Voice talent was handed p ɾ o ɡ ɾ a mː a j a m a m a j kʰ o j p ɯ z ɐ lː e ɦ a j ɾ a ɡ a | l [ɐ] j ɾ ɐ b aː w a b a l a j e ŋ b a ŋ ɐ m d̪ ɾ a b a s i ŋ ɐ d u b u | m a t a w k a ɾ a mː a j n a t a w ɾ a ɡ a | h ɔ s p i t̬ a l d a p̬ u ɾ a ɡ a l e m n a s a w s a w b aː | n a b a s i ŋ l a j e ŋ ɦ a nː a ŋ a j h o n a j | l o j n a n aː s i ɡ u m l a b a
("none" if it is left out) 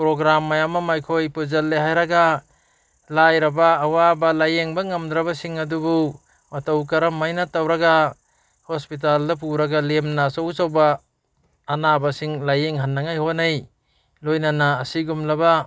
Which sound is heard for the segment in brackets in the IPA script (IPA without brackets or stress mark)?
a